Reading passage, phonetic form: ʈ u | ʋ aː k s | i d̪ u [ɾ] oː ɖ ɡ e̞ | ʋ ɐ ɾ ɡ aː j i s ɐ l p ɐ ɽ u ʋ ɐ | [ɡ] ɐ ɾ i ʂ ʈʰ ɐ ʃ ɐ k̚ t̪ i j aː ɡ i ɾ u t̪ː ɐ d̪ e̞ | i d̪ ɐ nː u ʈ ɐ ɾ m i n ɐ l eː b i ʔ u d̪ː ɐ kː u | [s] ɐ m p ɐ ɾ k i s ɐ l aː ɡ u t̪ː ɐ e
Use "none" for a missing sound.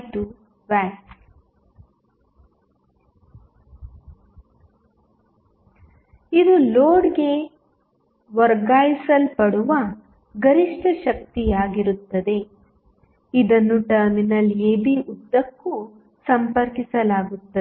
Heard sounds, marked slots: l, ɡ, s

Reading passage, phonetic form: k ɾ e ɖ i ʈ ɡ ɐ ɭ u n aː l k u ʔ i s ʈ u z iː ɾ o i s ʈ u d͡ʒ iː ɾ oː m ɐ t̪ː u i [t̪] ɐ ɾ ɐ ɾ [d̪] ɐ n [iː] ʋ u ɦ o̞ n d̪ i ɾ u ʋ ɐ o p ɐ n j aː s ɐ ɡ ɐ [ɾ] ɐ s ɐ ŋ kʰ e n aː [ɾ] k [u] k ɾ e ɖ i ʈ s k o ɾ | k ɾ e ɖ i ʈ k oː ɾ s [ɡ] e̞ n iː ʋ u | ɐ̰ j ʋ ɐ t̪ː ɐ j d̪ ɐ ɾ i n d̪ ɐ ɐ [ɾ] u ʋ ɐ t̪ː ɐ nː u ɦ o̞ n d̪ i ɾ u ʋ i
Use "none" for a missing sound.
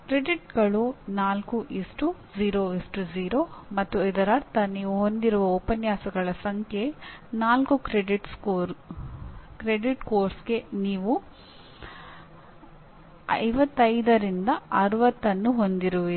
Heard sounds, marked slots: d̪, t̪, iː, ɭ, l, u, ɡ, ɾ

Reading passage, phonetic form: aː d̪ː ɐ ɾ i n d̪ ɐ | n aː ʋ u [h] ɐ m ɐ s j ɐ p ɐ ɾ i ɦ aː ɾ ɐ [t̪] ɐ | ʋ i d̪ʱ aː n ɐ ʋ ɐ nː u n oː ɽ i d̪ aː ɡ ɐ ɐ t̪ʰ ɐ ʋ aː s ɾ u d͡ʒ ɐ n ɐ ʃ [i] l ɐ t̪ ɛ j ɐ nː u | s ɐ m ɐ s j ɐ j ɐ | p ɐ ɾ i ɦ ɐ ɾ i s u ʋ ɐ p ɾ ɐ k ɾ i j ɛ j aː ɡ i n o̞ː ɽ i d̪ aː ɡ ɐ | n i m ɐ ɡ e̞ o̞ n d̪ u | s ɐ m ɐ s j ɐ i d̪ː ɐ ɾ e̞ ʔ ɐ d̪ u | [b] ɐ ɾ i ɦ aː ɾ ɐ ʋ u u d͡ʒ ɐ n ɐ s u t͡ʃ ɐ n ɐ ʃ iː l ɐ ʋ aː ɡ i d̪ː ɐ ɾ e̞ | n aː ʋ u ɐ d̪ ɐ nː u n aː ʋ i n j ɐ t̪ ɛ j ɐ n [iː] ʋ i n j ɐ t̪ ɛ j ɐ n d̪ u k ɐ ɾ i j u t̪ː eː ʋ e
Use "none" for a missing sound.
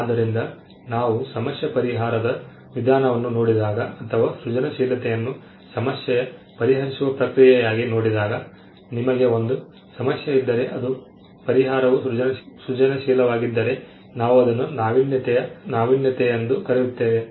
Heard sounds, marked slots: s, d̪, iː, p, aː

